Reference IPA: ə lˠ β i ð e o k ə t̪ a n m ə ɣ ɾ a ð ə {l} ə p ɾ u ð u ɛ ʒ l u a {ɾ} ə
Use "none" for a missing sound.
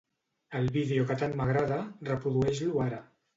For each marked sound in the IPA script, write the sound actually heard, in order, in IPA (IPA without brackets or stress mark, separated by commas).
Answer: r, ɾ